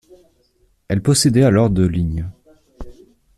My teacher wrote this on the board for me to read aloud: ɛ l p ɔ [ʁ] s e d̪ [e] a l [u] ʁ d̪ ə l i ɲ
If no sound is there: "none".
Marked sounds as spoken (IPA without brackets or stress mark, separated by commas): none, ɛ, ɔ